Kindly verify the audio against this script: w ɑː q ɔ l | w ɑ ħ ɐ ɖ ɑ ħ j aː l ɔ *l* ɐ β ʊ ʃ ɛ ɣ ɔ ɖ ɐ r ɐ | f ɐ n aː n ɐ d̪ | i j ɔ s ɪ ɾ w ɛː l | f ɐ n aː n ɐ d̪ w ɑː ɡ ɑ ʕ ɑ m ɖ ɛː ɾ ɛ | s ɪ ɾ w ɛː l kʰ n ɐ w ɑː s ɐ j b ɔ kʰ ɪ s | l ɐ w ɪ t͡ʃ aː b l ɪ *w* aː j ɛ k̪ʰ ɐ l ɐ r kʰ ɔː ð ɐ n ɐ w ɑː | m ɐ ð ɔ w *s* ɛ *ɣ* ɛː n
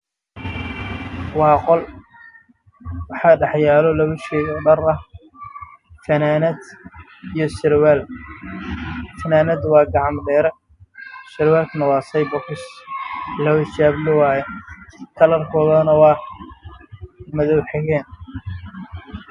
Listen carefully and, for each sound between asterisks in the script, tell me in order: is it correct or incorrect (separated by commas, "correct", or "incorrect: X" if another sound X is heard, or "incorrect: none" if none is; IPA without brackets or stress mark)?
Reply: correct, correct, incorrect: ħ, correct